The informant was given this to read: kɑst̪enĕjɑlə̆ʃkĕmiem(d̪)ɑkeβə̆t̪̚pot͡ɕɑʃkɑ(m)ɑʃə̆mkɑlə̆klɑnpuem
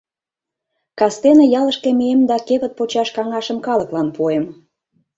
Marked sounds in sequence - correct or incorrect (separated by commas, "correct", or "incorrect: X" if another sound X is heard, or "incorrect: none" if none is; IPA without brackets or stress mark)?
correct, incorrect: ŋ